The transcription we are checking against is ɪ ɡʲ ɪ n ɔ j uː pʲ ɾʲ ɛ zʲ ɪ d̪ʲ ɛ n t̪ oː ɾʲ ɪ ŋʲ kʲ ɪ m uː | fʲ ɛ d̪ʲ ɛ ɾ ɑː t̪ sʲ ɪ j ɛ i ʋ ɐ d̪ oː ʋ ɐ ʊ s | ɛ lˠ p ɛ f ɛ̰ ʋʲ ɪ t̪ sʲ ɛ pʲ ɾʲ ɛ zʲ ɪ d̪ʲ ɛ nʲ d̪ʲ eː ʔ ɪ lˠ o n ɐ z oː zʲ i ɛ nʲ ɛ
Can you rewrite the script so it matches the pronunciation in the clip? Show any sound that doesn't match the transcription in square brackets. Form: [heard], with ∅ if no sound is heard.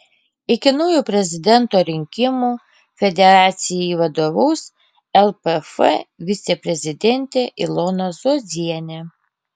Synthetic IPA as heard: ɪ [kʲ] ɪ n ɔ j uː pʲ ɾʲ ɛ zʲ ɪ d̪ʲ ɛ n t̪ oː ɾʲ ɪ ŋʲ kʲ ɪ m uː | fʲ ɛ d̪ʲ ɛ ɾ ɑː t̪ sʲ ɪ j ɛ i ʋ ɐ d̪ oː ʋ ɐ ʊ s | ɛ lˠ p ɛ f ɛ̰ ʋʲ ɪ t̪ sʲ ɛ pʲ ɾʲ ɛ zʲ ɪ d̪ʲ ɛ nʲ [t̪ʲ] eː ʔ ɪ lˠ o n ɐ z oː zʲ i ɛ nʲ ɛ

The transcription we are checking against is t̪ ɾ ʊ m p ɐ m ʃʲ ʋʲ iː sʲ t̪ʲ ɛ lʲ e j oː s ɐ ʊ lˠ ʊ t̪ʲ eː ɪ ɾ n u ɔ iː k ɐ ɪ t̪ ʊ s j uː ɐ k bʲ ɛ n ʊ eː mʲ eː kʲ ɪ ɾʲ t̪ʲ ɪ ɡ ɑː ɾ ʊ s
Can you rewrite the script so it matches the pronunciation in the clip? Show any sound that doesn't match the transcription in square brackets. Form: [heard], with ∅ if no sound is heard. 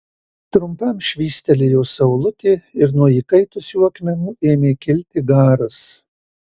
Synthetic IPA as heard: t̪ ɾ ʊ m p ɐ m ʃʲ ʋʲ iː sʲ t̪ʲ ɛ lʲ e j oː s ɐ ʊ lˠ ʊ t̪ʲ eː ɪ ɾ n u ɔ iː k ɐ ɪ t̪ ʊ s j uː ɐ k [mʲ] ɛ n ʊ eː mʲ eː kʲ ɪ [lʲ] t̪ʲ ɪ ɡ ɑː ɾ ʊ s

